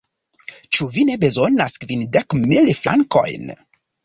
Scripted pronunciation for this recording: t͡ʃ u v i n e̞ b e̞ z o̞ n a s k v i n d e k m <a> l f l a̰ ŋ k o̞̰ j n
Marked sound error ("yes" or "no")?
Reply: yes